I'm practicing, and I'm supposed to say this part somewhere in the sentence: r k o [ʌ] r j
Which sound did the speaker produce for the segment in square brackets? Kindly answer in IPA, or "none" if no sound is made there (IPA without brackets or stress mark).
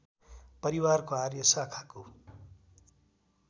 a